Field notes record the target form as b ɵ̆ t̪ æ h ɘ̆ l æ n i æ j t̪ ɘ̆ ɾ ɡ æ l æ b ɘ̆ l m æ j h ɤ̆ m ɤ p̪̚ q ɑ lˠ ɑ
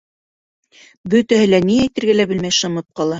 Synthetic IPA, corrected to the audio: b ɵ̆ t̪ æ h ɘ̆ l æ n i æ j t̪ ɘ̆ ɾ ɡ æ l æ b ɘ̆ l m æ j ʃ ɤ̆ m ɤ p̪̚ q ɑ lˠ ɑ